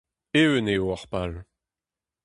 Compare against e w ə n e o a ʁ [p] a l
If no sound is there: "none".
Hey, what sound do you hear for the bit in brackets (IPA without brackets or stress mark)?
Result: p